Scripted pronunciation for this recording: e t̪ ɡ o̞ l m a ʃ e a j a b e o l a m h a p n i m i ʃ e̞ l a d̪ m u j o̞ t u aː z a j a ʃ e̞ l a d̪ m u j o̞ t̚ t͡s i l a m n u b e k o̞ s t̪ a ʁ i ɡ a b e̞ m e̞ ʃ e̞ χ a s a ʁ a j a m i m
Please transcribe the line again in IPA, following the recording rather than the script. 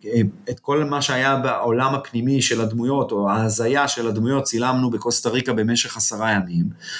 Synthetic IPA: e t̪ k o̞ l m a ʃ e a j a b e o l a m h a p n i m i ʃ e̞ l a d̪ m u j o̞ t o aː z a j a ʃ e̞ l a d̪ m u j o̞ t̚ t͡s i l a m n u b e k o̞ s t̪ a ʁ i k a b e̞ m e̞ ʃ e̞ χ a s a ʁ a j a m i m